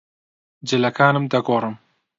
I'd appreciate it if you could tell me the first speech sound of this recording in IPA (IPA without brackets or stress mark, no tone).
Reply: d͡ʒ